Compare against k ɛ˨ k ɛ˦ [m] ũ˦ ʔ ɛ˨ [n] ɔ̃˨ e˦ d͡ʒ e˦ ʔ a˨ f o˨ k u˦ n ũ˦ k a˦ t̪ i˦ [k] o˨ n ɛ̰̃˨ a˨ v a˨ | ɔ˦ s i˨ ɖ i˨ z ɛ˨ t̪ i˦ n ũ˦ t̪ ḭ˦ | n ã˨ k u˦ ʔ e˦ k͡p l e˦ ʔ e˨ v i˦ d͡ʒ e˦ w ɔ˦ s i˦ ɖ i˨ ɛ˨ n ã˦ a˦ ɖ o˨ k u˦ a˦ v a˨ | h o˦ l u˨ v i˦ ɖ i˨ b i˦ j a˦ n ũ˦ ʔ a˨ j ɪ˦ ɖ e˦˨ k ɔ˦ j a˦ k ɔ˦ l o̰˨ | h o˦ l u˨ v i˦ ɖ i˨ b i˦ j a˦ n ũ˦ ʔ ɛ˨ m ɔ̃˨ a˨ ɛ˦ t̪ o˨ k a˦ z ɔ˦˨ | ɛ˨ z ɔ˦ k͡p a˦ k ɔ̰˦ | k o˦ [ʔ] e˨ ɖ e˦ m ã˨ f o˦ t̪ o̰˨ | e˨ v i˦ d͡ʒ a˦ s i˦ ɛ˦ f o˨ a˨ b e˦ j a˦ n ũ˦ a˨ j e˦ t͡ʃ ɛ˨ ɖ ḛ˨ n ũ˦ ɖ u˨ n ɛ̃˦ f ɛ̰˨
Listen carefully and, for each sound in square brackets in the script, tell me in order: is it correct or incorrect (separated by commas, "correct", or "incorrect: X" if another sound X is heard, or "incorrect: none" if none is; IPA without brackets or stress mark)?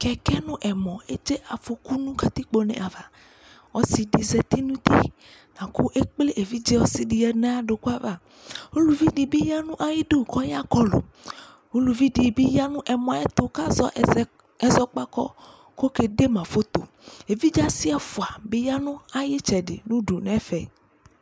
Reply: incorrect: n, incorrect: m, incorrect: k͡p, incorrect: k